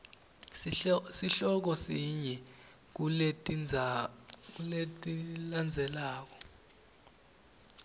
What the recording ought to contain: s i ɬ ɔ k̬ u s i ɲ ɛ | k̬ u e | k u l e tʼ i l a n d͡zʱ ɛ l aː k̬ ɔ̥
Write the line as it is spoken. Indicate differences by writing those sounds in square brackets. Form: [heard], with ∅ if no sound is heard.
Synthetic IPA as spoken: s i ɬ ɔ k̬ [ɔ] s i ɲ ɛ | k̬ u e | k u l e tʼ i l a n d͡zʱ ɛ l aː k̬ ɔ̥